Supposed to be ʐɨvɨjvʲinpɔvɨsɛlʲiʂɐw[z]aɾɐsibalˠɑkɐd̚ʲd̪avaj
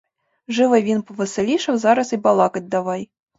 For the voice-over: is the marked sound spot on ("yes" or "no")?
yes